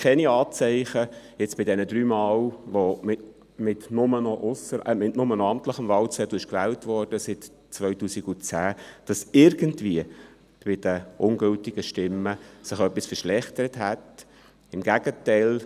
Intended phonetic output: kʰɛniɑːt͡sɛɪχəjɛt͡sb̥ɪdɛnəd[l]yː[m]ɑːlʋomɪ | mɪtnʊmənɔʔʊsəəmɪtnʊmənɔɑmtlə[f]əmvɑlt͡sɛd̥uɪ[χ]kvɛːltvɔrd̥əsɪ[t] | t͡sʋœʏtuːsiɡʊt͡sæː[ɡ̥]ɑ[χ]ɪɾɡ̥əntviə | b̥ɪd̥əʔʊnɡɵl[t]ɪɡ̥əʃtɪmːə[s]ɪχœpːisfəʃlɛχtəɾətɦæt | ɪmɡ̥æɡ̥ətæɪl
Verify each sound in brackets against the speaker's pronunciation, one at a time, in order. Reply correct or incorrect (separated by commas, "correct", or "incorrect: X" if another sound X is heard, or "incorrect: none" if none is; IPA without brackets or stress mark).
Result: incorrect: ɾ, correct, incorrect: χ, incorrect: ʃ, correct, incorrect: d̥, incorrect: s, correct, correct